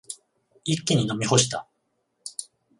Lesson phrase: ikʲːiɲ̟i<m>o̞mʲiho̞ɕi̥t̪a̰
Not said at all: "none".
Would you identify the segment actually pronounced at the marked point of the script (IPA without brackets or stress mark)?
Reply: n